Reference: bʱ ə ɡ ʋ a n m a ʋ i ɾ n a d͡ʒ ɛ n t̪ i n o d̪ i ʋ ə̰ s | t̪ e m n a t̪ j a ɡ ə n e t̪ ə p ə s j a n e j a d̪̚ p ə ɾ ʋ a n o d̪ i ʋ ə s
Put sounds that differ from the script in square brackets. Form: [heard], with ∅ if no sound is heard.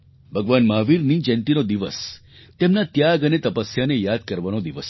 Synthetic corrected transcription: bʱ ə ɡ ʋ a n m a ʋ i ɾ n [i] d͡ʒ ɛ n t̪ i n o d̪ i ʋ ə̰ s | t̪ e m n a t̪ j a ɡ ə n e t̪ ə p ə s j a n e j a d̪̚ [k] ə ɾ ʋ a n o d̪ i ʋ ə s